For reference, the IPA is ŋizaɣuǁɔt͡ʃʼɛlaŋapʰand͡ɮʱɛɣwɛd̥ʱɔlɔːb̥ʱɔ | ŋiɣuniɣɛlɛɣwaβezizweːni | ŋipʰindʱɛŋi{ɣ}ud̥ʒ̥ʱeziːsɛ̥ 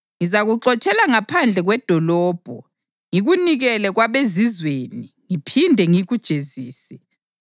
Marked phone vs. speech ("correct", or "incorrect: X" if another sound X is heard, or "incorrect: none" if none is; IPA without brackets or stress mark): correct